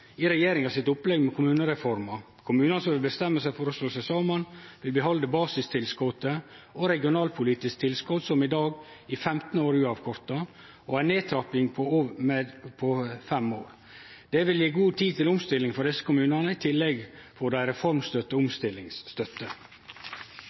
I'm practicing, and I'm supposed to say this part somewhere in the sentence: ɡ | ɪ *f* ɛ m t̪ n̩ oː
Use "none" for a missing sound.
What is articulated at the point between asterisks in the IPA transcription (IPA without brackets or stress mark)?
f